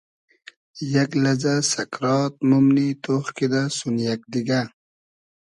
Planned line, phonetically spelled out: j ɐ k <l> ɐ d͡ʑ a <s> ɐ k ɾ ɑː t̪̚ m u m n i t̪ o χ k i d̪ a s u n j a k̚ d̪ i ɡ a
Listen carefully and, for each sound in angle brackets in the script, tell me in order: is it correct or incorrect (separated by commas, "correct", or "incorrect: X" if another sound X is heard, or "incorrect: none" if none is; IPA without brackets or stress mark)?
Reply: correct, correct